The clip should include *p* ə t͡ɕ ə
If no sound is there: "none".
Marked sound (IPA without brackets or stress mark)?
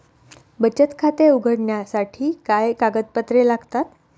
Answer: b